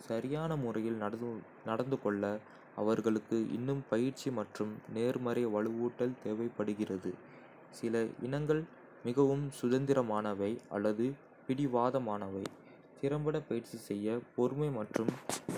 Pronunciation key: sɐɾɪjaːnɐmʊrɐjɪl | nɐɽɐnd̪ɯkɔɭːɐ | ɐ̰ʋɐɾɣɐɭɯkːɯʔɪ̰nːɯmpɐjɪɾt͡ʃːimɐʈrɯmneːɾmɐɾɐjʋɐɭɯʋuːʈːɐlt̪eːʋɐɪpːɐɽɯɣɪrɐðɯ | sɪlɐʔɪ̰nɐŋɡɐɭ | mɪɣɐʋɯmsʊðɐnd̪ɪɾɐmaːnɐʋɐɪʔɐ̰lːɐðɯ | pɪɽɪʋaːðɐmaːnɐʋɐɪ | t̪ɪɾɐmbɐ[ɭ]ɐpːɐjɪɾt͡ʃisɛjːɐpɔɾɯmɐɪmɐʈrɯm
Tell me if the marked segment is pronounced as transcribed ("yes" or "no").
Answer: no